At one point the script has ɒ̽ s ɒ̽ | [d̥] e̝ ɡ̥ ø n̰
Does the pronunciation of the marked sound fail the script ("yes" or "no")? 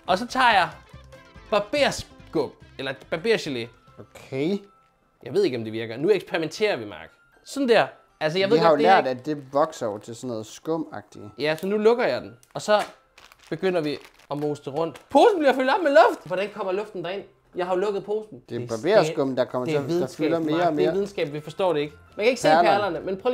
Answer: yes